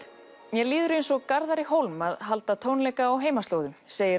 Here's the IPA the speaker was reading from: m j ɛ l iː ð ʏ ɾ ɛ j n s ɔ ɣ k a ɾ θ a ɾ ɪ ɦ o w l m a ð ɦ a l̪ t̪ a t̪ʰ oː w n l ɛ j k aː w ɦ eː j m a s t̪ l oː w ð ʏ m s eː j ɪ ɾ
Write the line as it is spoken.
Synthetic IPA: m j ɛ l iː ð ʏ ɾ e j n s ɔ ɣ k a ɾ ð a ɾ ɪ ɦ o w l m a ð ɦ a l̪ t̪ a t̪ʰ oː w n l ɛ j k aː w ɦ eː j m a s t̪ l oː w ð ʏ m s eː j ɪ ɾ